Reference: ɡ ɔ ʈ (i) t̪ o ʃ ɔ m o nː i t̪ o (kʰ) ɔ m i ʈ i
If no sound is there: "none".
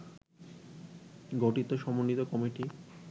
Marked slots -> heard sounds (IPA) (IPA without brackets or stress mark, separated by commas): i, k